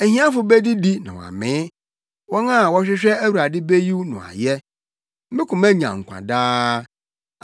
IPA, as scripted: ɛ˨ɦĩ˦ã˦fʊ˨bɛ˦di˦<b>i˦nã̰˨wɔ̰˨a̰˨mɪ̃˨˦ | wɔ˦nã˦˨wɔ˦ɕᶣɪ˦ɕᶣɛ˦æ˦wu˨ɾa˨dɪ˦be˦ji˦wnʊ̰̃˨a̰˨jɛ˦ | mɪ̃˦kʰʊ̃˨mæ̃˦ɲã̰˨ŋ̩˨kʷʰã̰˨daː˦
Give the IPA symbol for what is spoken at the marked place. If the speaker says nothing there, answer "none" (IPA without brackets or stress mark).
d